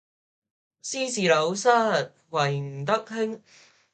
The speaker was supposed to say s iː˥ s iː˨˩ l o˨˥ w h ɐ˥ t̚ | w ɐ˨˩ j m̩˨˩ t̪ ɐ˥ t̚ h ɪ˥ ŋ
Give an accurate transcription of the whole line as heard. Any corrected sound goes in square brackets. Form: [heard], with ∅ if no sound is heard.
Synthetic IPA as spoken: s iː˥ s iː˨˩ l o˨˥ w [s] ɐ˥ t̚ | w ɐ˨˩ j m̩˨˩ t̪ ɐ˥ [k̚] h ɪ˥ ŋ